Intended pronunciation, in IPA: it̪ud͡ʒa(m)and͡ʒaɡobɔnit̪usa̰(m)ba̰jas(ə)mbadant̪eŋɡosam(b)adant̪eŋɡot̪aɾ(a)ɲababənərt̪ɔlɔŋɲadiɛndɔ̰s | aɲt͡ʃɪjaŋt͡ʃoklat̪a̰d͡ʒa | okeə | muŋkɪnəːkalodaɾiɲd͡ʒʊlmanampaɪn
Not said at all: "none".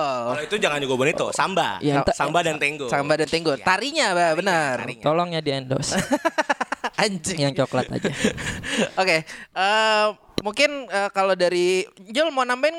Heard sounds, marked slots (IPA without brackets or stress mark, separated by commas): ŋ, m, a, b, i